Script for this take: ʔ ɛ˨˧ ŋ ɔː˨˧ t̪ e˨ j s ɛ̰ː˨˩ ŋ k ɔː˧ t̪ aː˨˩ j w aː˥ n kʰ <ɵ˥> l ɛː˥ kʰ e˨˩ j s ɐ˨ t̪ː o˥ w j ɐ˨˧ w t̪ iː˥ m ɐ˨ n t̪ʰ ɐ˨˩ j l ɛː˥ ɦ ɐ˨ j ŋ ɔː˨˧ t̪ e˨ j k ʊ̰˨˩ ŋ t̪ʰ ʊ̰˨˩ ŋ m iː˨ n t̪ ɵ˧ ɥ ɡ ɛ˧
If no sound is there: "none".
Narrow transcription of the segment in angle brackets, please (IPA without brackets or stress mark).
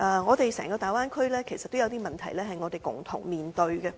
ɵ˥